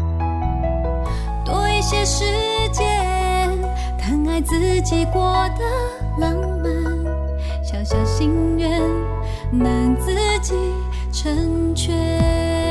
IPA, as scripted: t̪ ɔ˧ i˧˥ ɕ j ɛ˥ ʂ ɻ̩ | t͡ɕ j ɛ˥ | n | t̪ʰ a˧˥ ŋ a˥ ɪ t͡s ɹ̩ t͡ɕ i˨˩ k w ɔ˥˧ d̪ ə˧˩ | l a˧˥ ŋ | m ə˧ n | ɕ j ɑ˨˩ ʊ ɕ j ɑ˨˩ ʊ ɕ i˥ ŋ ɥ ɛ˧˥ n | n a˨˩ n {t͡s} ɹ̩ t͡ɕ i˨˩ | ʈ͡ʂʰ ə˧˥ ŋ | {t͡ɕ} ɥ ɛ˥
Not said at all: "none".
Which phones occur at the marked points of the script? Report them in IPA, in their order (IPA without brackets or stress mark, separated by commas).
t͡s, t͡ɕʰ